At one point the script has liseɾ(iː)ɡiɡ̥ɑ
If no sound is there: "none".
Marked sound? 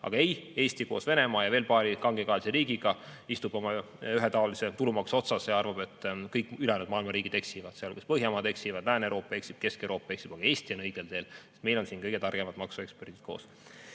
iː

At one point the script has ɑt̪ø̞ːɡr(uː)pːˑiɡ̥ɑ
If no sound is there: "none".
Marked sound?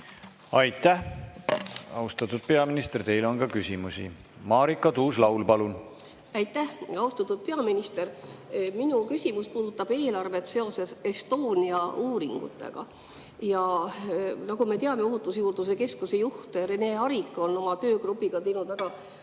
u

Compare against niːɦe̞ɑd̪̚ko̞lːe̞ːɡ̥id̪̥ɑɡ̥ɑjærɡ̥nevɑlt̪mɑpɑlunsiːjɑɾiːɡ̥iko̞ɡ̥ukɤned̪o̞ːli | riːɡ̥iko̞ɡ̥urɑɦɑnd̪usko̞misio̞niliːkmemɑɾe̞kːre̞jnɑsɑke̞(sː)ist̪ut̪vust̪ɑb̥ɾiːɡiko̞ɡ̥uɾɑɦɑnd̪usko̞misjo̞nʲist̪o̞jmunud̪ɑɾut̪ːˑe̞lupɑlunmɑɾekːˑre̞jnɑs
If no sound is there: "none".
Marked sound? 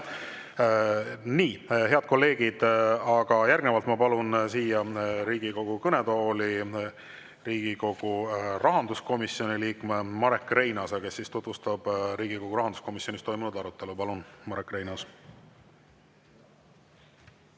sː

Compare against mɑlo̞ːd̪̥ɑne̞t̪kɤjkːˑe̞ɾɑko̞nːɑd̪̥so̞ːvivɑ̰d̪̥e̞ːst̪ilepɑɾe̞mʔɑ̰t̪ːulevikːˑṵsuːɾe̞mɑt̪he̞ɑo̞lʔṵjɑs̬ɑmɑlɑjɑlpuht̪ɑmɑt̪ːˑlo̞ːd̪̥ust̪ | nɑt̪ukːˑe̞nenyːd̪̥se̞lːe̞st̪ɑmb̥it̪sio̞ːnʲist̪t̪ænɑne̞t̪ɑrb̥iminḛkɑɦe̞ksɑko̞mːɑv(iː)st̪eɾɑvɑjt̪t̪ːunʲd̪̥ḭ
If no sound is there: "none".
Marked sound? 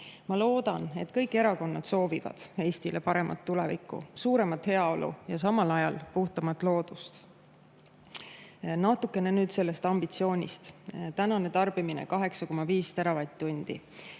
iː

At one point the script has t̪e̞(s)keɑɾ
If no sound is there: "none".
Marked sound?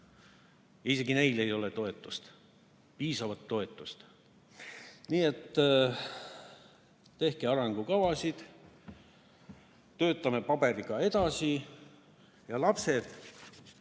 h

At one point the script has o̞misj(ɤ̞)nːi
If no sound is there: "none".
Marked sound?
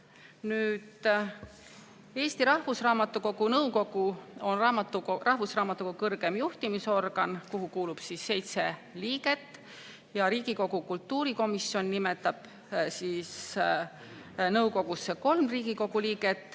o̞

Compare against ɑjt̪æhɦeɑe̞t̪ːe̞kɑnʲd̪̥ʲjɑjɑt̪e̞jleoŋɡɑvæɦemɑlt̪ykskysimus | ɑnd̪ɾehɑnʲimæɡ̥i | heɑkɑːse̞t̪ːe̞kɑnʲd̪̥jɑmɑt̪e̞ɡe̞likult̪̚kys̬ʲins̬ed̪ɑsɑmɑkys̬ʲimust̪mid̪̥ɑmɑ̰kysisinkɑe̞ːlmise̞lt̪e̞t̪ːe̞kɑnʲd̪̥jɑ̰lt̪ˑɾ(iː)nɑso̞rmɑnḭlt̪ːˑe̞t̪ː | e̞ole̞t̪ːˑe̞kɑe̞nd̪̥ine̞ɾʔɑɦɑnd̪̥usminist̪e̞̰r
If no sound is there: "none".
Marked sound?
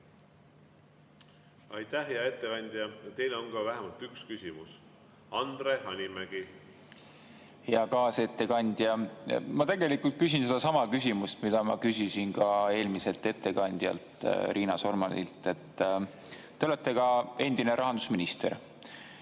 iː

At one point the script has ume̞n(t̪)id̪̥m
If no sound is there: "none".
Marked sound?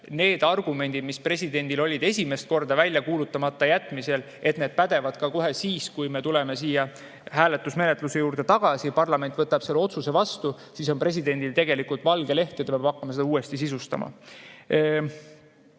d̪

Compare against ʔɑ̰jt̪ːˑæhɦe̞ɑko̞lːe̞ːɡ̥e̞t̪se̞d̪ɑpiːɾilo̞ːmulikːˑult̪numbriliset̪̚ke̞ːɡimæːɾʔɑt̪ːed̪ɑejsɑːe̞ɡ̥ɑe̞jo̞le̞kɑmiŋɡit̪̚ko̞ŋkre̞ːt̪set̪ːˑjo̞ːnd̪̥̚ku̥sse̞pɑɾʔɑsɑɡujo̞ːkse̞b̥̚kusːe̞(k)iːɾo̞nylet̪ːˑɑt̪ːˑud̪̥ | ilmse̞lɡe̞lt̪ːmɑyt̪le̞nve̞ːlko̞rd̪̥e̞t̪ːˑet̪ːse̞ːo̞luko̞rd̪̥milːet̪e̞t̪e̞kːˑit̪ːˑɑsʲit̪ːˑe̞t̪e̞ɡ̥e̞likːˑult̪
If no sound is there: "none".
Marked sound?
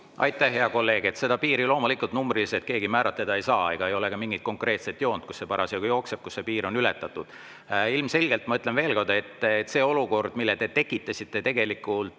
p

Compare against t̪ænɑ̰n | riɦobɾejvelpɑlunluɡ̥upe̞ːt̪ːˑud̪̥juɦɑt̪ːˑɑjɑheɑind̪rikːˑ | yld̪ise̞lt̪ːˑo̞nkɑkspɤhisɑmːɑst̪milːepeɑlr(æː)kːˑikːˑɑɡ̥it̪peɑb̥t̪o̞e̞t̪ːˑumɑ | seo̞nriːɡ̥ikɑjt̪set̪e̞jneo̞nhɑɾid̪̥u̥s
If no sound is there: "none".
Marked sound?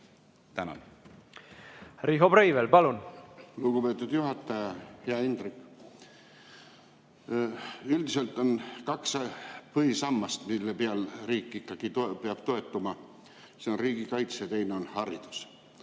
iː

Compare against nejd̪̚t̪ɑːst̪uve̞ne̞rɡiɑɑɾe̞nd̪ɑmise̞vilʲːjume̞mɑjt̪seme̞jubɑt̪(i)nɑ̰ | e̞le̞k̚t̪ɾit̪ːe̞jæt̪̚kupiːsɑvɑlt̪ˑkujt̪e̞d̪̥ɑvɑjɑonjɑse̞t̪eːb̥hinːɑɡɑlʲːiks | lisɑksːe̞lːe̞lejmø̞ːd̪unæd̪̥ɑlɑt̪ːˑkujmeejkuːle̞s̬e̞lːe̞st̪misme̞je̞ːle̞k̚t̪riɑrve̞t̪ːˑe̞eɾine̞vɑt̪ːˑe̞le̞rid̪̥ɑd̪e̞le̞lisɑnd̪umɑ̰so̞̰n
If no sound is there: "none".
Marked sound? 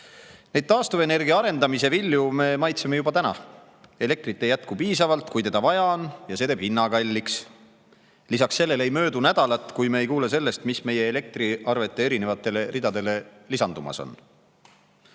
æ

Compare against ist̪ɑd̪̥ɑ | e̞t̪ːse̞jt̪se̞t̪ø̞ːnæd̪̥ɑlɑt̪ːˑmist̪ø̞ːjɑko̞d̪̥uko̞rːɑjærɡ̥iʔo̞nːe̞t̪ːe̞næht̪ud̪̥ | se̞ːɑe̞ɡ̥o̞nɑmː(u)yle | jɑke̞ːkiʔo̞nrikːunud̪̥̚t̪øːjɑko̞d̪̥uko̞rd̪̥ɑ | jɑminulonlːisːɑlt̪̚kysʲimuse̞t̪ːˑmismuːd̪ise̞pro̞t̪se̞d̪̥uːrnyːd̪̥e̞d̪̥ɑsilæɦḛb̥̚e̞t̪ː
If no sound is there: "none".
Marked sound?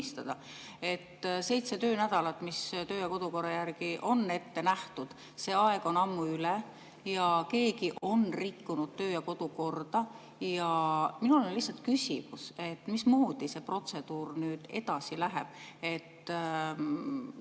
u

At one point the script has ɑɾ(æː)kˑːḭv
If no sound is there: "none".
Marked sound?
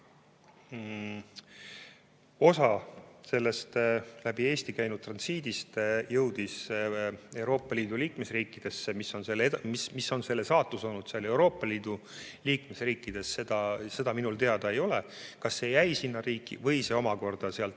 iː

